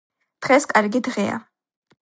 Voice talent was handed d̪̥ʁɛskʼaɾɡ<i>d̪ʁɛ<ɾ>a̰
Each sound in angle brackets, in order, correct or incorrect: correct, incorrect

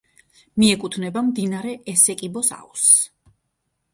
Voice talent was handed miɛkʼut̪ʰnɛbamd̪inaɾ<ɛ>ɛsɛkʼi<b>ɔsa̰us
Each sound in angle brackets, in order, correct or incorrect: correct, correct

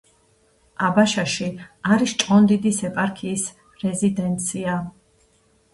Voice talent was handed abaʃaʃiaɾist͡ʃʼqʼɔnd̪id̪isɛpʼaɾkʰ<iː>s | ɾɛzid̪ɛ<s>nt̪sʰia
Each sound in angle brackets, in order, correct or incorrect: correct, incorrect

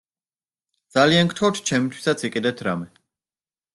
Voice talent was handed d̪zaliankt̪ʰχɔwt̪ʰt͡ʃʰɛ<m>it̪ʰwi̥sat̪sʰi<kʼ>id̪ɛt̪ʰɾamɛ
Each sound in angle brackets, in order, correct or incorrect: correct, correct

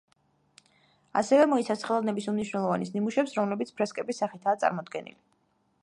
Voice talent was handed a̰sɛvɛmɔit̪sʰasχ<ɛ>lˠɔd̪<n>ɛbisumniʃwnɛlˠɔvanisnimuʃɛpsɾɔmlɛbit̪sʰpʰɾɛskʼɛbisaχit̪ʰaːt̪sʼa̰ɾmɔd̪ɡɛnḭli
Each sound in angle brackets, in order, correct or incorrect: correct, correct

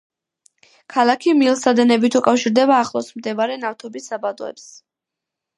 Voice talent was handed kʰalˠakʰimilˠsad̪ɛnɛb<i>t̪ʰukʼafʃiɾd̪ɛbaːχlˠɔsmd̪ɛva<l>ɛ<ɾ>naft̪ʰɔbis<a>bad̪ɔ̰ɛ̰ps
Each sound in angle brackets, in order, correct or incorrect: correct, incorrect, incorrect, correct

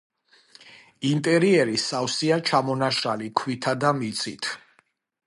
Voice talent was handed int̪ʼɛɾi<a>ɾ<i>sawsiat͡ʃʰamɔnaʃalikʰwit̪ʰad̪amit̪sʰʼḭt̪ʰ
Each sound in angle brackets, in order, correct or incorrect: incorrect, correct

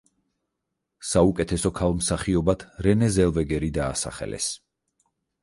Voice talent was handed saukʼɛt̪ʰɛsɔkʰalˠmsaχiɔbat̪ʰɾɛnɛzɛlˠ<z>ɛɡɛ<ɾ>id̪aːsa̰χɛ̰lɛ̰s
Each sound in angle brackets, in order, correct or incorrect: incorrect, correct

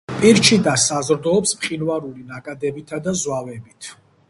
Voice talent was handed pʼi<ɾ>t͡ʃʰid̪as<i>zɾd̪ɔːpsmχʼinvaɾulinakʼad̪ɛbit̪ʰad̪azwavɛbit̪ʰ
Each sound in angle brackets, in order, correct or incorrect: correct, incorrect

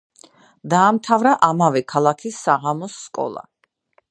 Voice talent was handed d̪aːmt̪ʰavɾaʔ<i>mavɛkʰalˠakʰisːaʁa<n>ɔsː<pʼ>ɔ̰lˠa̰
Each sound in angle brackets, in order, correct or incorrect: incorrect, incorrect, incorrect

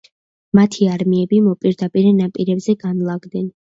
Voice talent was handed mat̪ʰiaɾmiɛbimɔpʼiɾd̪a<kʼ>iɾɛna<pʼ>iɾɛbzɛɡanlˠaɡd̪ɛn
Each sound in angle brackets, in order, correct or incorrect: incorrect, correct

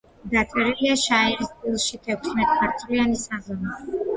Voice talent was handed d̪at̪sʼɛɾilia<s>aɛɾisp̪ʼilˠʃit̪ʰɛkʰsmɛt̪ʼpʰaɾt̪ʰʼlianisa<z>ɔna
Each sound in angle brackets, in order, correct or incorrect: incorrect, correct

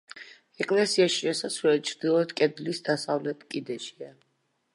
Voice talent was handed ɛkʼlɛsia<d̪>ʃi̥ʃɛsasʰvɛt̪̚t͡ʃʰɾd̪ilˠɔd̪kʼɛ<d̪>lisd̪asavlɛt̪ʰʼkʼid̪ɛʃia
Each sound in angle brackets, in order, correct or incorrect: incorrect, correct

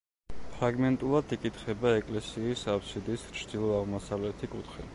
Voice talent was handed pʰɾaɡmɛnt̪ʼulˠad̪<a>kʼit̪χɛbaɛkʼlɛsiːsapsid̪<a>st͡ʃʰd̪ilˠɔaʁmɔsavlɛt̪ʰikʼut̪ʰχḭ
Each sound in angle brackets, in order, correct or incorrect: incorrect, incorrect

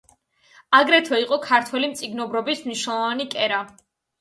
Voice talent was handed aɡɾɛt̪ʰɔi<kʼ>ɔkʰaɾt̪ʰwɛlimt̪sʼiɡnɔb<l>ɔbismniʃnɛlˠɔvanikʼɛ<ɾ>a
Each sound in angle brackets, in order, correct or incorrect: incorrect, incorrect, correct

